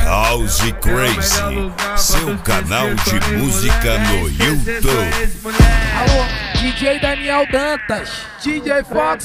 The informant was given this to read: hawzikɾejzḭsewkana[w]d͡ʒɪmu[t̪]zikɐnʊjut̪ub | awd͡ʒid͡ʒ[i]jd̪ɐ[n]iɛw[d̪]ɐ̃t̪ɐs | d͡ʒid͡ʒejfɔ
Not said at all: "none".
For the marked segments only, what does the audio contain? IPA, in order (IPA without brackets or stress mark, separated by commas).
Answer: w, none, e, n, d̪